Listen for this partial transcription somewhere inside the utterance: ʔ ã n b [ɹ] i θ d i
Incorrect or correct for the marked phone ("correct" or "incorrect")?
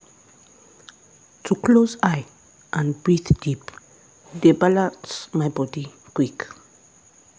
correct